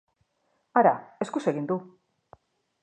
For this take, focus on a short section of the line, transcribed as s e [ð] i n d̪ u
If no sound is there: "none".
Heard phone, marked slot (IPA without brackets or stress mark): ɣ